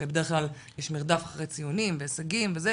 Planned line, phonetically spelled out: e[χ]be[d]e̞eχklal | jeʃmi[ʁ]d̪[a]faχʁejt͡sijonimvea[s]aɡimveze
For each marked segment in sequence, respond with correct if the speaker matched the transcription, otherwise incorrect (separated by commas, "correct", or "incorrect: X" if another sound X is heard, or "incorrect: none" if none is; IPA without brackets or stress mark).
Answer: incorrect: none, correct, correct, correct, correct